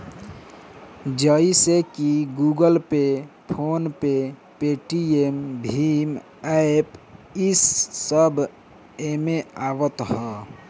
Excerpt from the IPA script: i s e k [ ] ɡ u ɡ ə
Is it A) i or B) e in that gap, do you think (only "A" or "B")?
A